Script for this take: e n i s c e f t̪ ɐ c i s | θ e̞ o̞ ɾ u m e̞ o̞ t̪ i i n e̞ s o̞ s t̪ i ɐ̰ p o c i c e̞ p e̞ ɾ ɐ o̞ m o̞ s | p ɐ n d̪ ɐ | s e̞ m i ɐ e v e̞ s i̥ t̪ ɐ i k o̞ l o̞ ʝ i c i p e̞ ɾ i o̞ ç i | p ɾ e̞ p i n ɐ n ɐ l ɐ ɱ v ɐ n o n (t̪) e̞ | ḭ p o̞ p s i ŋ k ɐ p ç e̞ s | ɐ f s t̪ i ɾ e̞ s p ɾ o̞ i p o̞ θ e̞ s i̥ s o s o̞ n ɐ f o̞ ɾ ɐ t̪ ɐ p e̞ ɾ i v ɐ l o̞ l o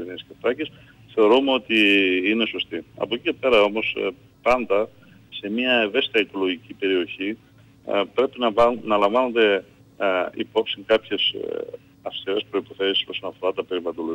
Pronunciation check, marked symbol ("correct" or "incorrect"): incorrect